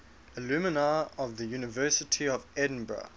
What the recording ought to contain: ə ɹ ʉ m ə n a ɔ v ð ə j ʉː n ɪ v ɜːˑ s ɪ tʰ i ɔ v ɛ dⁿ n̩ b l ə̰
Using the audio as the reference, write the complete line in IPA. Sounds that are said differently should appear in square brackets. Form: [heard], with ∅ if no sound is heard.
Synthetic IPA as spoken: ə [l] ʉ m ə n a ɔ v ð ə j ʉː n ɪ v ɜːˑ s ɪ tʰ i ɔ v ɛ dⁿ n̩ b [ɹ] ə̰